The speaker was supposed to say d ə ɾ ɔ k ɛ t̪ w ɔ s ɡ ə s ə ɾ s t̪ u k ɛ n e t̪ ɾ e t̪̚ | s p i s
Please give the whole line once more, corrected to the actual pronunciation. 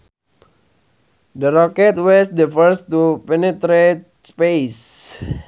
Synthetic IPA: d ə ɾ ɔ k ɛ t̪ w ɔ s d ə f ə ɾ s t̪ u p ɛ n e t̪ ɾ e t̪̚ | s p e s

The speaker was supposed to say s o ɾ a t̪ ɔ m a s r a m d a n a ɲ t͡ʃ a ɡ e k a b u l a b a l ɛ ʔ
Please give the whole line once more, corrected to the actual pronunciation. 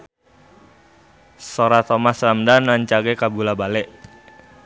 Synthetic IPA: s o ɾ a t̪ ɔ m a s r a m d a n a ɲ t͡ʃ a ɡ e k a b u l a b a l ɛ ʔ

